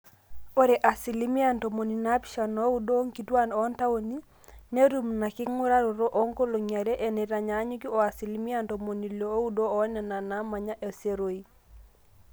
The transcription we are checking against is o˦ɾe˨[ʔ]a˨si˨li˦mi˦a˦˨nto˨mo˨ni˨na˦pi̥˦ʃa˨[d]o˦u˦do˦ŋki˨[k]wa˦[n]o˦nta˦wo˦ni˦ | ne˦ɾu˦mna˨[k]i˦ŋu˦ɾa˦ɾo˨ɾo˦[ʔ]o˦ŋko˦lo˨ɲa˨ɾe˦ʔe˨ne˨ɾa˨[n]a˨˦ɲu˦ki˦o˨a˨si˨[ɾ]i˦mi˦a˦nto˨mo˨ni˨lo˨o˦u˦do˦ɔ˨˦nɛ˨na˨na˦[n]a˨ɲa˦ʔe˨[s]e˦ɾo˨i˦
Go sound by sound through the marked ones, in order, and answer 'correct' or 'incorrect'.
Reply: correct, incorrect: n, incorrect: t, correct, correct, correct, incorrect: ɲ, incorrect: l, incorrect: m, correct

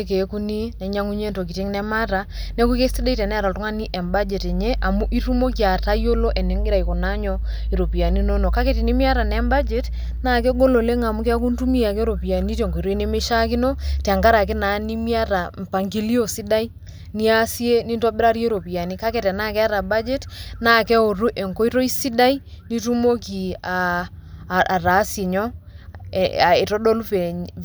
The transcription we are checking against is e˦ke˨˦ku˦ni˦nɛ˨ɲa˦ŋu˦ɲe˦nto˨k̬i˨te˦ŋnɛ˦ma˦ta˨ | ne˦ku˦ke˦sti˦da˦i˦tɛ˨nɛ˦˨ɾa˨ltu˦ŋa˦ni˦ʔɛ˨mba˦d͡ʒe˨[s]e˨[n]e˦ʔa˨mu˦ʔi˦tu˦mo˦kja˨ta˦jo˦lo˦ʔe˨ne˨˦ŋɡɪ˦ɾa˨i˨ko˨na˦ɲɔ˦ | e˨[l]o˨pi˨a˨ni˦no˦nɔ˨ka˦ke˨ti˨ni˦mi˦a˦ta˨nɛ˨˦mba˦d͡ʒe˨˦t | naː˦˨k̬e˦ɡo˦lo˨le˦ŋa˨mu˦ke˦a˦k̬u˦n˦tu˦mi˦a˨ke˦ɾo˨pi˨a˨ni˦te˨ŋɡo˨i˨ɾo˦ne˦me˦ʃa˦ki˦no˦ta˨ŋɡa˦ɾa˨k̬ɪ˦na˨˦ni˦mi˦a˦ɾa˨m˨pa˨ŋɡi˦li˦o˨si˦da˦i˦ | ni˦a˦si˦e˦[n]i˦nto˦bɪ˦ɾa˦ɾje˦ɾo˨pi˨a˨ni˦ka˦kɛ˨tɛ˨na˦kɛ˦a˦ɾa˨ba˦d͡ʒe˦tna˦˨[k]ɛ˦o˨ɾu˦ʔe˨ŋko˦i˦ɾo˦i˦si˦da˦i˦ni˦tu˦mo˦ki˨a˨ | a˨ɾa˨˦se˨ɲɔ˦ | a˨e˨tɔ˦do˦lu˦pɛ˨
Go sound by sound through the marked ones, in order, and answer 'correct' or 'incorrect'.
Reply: incorrect: t, incorrect: ɲ, incorrect: ɾ, correct, correct

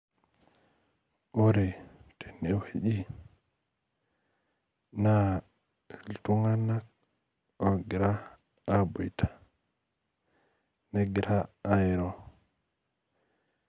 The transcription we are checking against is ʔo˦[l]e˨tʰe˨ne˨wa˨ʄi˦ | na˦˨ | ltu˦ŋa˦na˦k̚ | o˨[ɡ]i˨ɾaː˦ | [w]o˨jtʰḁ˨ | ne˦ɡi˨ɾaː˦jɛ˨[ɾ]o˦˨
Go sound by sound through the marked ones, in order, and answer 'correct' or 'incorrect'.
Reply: incorrect: ɾ, correct, incorrect: b, correct

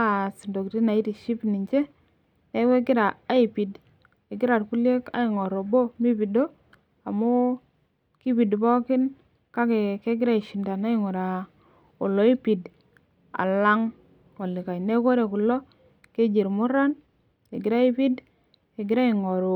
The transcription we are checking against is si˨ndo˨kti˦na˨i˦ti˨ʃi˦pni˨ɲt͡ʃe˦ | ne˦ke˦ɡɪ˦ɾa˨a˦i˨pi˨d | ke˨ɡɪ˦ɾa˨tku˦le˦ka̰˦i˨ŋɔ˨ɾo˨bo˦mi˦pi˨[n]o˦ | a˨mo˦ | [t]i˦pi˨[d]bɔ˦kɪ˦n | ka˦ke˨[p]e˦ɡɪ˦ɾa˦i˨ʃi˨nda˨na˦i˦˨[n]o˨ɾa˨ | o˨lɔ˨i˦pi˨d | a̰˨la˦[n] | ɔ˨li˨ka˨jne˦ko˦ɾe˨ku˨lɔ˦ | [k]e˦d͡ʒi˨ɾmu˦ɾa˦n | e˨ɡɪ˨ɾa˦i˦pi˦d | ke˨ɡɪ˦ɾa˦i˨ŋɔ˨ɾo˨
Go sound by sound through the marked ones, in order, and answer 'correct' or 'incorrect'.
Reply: incorrect: d, incorrect: k, correct, incorrect: k, incorrect: ŋ, incorrect: ŋ, correct

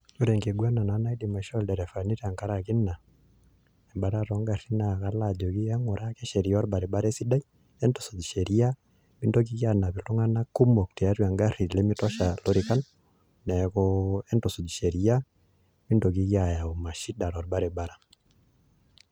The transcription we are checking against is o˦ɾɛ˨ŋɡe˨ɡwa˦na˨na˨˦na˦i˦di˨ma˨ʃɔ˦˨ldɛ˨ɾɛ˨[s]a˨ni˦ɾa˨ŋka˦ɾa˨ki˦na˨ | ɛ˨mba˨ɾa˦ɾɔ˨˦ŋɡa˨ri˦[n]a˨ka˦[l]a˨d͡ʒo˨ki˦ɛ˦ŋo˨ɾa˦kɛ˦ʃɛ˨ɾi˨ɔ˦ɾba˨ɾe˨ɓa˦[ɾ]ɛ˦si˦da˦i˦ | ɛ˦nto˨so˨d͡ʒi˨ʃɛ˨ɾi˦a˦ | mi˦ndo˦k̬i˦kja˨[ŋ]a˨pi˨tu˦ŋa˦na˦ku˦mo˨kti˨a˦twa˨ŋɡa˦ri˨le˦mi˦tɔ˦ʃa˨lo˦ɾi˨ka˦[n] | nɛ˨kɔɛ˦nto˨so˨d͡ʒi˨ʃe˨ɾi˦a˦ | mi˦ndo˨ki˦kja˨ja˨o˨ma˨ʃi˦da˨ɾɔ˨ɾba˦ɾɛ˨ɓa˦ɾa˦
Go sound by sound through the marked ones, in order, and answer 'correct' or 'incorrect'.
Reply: incorrect: f, correct, correct, correct, incorrect: n, correct

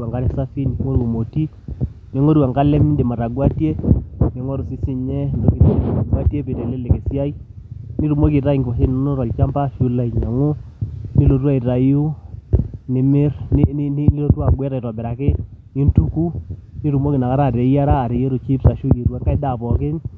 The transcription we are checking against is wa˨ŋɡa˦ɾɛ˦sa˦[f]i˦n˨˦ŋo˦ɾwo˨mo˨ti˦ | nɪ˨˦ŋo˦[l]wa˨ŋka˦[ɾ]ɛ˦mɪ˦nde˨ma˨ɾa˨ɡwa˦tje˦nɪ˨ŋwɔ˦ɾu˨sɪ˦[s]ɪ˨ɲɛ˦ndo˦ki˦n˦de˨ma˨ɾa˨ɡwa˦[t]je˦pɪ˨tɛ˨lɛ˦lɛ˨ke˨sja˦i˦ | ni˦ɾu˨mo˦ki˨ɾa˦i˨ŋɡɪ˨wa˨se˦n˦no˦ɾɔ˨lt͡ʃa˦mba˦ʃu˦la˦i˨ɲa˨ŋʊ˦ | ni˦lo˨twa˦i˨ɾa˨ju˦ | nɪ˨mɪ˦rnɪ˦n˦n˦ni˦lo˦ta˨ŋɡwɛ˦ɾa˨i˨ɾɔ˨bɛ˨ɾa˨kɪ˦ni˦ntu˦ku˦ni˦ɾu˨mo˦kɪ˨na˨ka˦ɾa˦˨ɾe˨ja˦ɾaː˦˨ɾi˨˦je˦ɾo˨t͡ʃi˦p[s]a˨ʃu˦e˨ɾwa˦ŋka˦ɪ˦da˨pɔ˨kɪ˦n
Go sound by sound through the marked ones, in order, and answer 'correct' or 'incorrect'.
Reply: correct, incorrect: ɾ, incorrect: l, correct, correct, correct

